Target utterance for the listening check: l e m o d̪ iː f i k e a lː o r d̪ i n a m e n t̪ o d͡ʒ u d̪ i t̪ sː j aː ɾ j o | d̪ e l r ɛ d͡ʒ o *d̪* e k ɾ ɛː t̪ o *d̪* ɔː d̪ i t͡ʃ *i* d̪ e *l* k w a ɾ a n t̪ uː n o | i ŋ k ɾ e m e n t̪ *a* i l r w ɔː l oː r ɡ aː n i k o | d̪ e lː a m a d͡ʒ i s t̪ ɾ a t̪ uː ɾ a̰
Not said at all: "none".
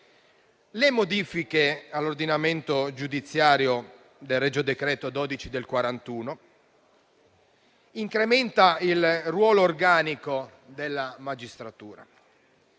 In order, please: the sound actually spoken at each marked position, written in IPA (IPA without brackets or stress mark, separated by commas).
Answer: d̪, d̪, i, l, a